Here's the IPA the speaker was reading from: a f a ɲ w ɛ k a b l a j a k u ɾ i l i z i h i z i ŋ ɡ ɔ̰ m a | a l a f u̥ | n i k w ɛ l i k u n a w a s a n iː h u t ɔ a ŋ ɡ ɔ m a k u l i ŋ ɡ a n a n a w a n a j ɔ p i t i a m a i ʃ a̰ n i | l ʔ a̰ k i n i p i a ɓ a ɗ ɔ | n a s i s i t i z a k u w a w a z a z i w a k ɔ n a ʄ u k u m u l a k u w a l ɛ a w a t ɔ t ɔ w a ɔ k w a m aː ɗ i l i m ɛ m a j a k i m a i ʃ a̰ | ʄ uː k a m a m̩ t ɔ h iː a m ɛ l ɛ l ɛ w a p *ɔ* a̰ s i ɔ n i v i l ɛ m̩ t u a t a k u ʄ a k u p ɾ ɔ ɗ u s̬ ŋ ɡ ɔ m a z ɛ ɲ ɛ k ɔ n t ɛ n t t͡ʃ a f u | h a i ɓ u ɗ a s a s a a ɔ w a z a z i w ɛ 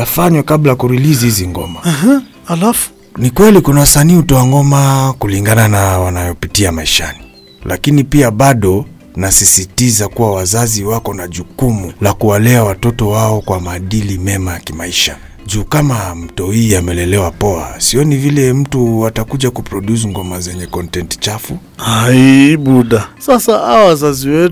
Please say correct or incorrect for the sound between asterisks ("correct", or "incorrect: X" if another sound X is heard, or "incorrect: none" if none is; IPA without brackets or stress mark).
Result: correct